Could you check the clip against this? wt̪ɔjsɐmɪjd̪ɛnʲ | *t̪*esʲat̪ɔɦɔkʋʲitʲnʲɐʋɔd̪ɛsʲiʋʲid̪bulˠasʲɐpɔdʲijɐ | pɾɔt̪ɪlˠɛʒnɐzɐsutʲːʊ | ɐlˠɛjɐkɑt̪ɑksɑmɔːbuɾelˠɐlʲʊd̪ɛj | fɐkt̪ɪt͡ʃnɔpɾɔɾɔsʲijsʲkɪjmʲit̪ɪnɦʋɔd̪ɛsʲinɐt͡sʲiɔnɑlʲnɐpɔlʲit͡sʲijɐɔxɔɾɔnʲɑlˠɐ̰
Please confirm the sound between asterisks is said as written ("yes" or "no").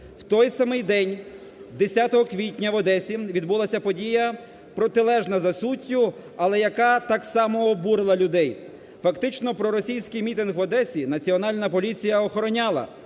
no